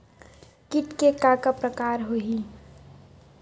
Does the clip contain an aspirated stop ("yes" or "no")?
no